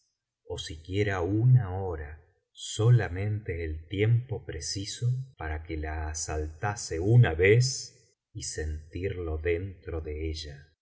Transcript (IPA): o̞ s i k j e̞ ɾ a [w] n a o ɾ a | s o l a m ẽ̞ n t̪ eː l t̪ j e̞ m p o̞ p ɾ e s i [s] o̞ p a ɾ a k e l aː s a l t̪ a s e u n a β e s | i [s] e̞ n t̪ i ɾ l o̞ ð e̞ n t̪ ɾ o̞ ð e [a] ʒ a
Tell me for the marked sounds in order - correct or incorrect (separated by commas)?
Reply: incorrect, correct, correct, incorrect